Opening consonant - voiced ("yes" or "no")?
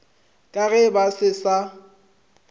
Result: no